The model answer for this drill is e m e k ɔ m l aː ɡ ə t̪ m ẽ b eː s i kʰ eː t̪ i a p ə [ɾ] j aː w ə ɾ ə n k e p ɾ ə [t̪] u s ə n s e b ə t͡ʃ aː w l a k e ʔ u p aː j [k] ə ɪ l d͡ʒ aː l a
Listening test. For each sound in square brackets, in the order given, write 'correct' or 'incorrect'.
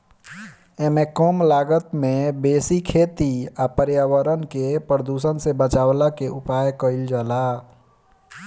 correct, incorrect: d̪, correct

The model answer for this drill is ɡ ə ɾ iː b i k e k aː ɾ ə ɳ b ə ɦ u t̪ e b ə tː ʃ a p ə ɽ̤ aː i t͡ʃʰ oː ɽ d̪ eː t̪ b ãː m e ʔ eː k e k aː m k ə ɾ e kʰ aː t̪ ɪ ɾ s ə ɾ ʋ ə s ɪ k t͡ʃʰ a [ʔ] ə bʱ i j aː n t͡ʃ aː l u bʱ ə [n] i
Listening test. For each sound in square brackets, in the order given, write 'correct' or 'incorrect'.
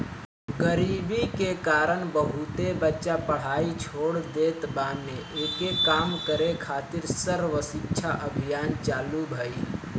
correct, incorrect: none

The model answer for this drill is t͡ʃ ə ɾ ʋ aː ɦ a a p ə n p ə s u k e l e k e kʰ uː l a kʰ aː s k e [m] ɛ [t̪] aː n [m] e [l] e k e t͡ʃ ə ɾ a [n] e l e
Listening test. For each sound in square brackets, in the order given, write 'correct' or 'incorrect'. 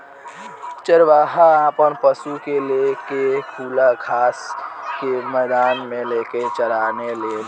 correct, incorrect: d̪, correct, correct, correct

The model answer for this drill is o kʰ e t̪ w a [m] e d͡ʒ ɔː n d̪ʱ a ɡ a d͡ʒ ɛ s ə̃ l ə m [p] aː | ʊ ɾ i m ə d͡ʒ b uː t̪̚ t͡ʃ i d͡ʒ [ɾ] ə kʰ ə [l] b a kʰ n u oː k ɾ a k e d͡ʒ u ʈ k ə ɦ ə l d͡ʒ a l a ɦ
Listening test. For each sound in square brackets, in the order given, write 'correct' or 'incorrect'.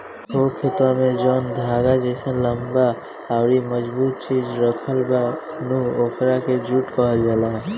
correct, incorrect: b, correct, correct

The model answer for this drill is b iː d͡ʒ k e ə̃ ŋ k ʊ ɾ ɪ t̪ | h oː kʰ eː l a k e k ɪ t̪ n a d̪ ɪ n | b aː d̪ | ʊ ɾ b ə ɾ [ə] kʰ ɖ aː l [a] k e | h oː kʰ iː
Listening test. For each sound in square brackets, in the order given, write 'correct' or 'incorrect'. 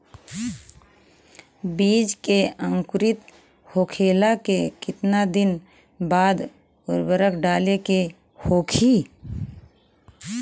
correct, incorrect: e

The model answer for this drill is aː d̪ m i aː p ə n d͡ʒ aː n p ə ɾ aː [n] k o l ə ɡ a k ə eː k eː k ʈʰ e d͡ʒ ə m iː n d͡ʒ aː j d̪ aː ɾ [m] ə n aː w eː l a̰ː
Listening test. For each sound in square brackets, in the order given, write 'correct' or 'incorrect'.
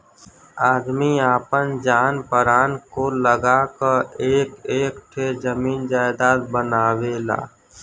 correct, incorrect: b

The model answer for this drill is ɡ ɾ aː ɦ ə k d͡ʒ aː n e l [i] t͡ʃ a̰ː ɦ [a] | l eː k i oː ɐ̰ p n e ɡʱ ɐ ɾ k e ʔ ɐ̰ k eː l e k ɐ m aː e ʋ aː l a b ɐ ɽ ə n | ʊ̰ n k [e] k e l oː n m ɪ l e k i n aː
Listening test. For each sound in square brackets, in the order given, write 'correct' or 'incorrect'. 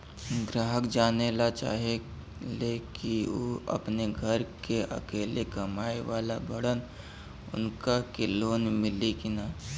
incorrect: a, incorrect: e, incorrect: a

